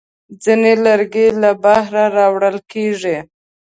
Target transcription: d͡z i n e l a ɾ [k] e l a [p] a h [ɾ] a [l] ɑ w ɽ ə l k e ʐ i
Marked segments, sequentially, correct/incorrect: incorrect: ɡ, incorrect: b, correct, incorrect: ɾ

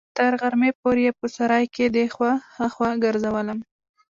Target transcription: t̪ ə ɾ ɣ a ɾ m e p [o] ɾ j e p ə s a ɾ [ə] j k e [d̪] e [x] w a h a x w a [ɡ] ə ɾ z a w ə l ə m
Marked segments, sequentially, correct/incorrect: correct, incorrect: ɑ, correct, correct, correct

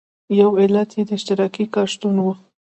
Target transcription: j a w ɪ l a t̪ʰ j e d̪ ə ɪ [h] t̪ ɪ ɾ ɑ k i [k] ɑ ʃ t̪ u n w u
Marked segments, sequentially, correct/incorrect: incorrect: ʃ, correct

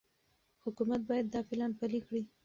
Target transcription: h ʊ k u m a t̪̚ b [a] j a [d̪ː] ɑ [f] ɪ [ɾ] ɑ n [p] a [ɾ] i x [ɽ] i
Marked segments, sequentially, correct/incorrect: incorrect: ɑ, correct, correct, incorrect: l, correct, incorrect: l, correct

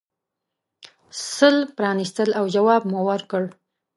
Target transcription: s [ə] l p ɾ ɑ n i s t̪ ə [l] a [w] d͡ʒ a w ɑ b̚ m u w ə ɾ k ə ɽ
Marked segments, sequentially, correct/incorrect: correct, correct, correct

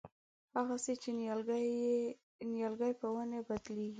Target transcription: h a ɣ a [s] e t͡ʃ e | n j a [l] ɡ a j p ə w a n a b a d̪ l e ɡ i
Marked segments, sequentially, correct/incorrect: correct, correct

